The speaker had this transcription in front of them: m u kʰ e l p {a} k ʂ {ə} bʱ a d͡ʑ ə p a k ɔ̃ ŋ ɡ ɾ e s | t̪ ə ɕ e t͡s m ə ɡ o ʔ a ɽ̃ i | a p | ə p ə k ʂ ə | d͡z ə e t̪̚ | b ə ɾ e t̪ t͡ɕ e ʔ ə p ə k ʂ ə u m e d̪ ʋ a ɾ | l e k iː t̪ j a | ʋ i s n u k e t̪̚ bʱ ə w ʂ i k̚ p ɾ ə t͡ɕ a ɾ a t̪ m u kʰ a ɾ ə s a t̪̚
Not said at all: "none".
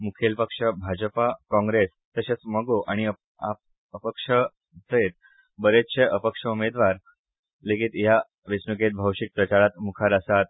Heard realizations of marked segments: ə, ə

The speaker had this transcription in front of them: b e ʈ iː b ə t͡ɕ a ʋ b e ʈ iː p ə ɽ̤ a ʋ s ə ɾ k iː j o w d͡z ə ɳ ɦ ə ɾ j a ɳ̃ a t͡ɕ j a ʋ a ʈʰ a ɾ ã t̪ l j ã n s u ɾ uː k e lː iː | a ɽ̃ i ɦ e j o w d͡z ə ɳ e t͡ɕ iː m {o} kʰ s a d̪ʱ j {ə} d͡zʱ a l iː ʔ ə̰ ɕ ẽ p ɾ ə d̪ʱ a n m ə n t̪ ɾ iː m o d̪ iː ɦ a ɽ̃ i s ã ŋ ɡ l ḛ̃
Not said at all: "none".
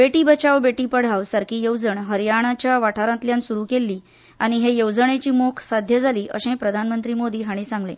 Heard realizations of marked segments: o, ə

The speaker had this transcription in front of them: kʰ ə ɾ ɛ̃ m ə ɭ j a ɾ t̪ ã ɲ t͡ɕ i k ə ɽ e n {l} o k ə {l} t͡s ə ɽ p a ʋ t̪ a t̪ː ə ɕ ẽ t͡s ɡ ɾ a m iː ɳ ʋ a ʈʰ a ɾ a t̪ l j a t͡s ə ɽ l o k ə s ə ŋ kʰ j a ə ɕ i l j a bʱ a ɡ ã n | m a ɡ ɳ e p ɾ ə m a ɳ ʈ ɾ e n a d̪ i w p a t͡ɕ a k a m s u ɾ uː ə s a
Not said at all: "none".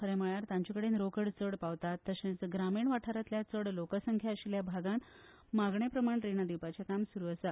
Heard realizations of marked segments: ɾ, ɽ

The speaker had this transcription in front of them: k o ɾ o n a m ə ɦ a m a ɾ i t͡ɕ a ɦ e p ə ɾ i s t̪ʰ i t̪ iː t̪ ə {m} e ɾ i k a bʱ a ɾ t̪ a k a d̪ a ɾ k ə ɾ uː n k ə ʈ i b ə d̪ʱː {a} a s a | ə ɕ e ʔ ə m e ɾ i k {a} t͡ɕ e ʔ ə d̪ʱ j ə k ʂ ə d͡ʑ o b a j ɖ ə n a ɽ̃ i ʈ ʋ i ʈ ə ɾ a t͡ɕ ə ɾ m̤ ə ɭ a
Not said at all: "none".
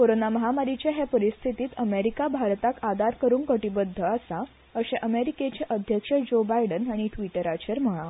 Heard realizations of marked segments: m, ə, e

